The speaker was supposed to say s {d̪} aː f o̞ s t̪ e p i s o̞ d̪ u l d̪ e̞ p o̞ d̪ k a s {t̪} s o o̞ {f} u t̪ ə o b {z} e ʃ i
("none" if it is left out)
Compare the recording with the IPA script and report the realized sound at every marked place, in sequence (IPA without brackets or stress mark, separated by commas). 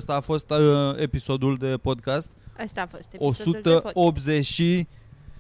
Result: t̪, t̪, s, z